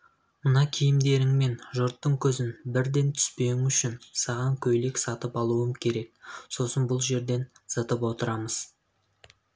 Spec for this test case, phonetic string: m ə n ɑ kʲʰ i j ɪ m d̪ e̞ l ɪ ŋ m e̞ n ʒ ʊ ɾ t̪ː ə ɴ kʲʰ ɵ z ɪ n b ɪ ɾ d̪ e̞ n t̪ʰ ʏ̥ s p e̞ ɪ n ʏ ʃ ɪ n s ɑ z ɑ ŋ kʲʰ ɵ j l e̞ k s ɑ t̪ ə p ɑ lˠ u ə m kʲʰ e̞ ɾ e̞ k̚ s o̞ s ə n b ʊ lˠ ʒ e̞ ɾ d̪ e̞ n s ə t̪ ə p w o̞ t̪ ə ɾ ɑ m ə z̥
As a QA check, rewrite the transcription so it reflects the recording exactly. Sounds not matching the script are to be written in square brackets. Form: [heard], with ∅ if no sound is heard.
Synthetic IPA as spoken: m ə n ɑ kʲʰ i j ɪ m d̪ e̞ [ɾ] ɪ ŋ m e̞ n ʒ ʊ ɾ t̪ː ə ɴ kʲʰ ɵ z ɪ n b ɪ ɾ d̪ e̞ n t̪ʰ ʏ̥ s p e̞ ɪ [ŋ] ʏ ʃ ɪ n s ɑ [ʁ] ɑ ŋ kʲʰ ɵ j l e̞ k s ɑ t̪ ə p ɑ lˠ u ə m kʲʰ e̞ ɾ e̞ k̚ s o̞ s ə n b ʊ lˠ ʒ e̞ ɾ d̪ e̞ n s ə t̪ ə p w o̞ t̪ ə ɾ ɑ m ə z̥

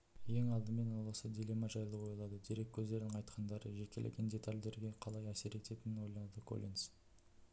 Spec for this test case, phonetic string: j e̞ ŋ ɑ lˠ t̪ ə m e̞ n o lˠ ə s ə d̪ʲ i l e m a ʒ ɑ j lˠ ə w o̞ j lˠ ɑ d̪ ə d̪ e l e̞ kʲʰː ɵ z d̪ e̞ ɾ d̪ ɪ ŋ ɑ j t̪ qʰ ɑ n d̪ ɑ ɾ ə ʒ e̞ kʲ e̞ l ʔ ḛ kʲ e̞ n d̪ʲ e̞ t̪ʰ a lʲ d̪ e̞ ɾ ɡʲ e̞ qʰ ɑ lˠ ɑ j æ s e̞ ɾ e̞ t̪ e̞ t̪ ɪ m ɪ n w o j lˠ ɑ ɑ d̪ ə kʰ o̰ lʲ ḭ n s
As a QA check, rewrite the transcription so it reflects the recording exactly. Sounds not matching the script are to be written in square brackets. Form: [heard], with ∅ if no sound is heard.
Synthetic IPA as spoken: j e̞ ŋ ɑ lˠ [d̪] ə m e̞ n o lˠ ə s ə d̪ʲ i l e m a ʒ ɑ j lˠ ə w o̞ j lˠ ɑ d̪ ə d̪ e [ɾ] e̞ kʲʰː ɵ z d̪ e̞ ɾ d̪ ɪ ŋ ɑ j t̪ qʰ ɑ n d̪ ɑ ɾ ə ʒ e̞ kʲ e̞ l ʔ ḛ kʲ e̞ n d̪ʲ e̞ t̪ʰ a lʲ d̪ e̞ ɾ ɡʲ e̞ qʰ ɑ lˠ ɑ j æ s e̞ ɾ e̞ t̪ e̞ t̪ ɪ [n] ɪ n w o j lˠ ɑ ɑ d̪ ə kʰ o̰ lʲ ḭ n s

